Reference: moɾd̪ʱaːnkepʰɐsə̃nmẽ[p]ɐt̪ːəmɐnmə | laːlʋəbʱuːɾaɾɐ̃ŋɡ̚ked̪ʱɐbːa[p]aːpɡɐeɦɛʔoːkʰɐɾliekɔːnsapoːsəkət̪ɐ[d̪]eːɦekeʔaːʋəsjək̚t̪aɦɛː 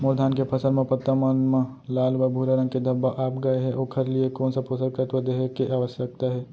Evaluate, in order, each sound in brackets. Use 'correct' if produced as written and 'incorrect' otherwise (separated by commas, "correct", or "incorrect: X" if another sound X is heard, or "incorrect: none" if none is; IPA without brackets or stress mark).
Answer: correct, incorrect: ʔ, correct